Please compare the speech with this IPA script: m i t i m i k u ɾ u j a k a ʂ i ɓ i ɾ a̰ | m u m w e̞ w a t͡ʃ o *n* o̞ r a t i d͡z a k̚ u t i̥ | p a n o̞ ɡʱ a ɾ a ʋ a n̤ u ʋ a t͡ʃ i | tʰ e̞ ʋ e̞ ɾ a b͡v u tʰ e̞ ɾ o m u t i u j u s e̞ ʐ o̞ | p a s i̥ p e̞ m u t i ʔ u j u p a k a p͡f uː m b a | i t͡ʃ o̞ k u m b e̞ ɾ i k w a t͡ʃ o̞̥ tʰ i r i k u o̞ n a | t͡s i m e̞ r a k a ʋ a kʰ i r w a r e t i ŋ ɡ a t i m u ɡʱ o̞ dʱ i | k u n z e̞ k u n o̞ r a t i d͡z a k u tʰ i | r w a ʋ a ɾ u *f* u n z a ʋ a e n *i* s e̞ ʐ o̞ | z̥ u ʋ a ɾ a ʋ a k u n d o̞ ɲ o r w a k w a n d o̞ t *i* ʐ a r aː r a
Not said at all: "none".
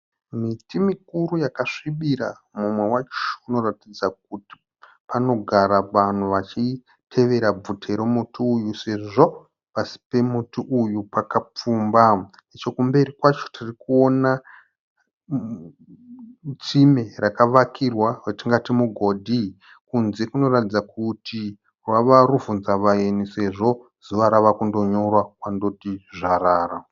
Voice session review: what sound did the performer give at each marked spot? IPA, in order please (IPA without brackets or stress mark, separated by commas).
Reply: n, v, i, i